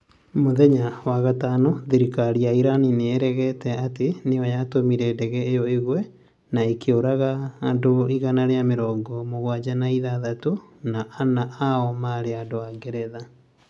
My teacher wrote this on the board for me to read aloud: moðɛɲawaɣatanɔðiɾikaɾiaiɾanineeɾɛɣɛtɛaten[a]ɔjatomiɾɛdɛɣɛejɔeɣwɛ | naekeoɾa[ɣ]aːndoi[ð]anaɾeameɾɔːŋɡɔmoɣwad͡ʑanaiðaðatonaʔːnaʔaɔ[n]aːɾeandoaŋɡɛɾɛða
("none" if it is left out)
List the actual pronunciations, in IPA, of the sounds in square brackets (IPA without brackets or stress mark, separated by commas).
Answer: e, ɣ, ɣ, m